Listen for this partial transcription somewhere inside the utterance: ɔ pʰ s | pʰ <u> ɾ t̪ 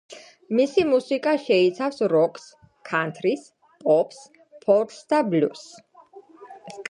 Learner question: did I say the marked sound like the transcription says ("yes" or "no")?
no